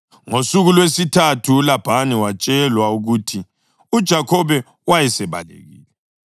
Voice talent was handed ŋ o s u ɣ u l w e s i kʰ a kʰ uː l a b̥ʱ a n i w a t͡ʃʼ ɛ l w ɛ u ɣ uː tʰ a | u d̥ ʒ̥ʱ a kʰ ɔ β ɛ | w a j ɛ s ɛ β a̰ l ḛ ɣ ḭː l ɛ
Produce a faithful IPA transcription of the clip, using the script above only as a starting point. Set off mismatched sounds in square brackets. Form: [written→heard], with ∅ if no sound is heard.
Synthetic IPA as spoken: ŋ o s u ɣ u l w e s i [kʰ→tʰ] a [kʰ→tʰ] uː l a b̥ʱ a n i w a t͡ʃʼ ɛ l w [ɛ→a] u ɣ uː tʰ [a→i] | u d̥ ʒ̥ʱ a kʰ ɔ β ɛ | w a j ɛ s ɛ β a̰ l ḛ ɣ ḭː l ɛ